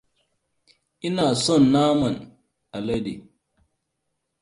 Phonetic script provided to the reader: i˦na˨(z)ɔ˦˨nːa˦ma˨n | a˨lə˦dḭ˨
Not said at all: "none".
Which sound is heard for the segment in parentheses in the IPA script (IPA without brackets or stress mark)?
s